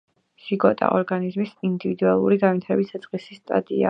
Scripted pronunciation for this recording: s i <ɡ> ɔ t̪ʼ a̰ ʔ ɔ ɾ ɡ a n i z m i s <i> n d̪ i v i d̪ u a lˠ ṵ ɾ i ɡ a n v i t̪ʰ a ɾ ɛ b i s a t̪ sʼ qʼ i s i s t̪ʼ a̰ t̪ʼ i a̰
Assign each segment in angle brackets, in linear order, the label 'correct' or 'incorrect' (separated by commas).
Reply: correct, correct